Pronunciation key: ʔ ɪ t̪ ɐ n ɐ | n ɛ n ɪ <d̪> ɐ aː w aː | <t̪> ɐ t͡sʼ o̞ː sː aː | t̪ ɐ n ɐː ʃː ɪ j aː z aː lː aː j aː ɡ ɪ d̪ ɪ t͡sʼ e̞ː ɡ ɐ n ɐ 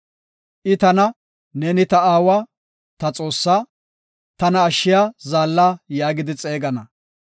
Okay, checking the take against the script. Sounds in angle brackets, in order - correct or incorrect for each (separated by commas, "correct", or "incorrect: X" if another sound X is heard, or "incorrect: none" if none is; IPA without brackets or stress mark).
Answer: incorrect: t̪, correct